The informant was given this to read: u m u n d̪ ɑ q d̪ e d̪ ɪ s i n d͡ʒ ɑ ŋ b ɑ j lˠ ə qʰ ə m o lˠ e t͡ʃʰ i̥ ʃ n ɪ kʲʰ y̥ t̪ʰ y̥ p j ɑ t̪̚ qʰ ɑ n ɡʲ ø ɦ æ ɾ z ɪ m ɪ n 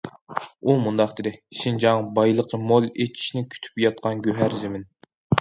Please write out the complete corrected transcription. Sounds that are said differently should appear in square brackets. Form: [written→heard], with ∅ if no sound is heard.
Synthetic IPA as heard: u m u n d̪ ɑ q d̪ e d̪ ɪ [s→ʃ] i n d͡ʒ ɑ ŋ b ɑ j lˠ ə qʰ ə m o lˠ e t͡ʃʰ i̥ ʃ n ɪ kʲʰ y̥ t̪ʰ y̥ p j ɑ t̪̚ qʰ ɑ n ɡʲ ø ɦ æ ɾ z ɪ m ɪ n